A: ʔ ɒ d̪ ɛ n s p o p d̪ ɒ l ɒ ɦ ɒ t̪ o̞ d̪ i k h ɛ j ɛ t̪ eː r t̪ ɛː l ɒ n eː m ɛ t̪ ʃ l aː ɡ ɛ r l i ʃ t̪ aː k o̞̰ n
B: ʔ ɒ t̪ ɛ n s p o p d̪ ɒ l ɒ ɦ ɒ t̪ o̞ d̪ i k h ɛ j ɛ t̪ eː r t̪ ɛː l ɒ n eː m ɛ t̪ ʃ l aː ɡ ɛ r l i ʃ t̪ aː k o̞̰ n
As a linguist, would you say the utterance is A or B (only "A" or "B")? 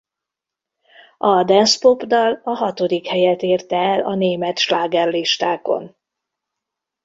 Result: A